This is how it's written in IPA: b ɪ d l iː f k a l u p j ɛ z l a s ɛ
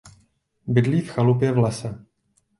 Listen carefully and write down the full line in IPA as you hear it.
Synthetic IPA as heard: b ɪ d l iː f x a l u p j ɛ v l ɛ s ɛ